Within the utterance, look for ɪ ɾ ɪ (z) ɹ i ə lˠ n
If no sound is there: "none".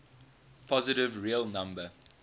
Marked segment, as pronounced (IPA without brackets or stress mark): v